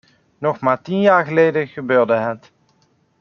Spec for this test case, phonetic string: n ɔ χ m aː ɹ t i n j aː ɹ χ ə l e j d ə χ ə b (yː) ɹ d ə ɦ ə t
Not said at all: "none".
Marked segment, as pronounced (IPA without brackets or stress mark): øː